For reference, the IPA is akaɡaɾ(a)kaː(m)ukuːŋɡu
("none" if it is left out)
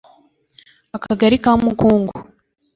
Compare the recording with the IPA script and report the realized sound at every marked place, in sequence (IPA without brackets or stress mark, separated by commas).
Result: i, m